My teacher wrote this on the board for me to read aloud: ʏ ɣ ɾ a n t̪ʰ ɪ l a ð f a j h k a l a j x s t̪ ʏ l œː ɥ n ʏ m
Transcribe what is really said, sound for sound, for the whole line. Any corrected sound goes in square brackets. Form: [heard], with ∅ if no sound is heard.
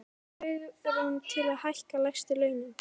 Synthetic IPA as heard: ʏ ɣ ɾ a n t̪ʰ ɪ l a ð [h] a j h k a l a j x s t̪ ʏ l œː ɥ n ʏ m